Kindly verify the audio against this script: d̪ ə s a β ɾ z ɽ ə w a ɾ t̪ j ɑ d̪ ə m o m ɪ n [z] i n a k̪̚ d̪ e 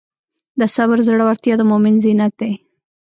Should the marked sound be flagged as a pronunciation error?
no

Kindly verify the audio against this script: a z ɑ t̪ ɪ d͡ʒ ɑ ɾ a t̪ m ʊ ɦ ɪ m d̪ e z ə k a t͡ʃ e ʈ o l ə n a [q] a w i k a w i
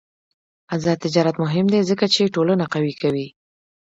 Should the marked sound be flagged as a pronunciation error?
no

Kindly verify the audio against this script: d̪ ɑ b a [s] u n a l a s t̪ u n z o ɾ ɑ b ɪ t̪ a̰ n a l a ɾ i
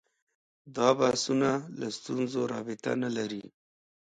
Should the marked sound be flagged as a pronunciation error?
no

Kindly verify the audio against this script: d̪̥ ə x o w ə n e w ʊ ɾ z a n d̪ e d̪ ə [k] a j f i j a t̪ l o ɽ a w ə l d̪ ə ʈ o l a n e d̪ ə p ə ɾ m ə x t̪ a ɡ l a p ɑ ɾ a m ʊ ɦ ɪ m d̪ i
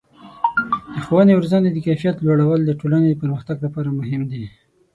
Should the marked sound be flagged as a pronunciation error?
no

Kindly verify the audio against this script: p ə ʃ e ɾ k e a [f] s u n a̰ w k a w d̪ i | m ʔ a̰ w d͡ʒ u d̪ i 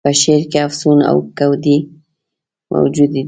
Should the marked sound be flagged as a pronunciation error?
no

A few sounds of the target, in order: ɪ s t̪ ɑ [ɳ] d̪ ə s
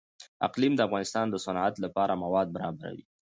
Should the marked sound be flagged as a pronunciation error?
yes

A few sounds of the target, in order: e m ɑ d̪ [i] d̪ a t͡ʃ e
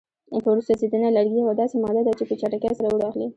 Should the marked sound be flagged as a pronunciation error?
yes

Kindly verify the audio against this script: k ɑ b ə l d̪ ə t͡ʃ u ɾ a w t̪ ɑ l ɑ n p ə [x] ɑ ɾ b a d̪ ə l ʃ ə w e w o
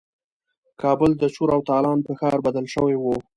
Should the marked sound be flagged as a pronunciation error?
no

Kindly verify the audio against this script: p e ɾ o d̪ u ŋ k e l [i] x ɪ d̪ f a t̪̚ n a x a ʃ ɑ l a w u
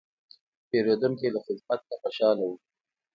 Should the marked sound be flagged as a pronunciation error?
yes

